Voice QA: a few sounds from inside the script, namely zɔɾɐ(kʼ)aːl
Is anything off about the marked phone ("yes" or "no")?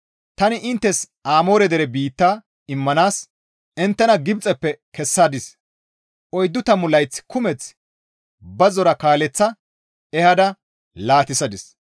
yes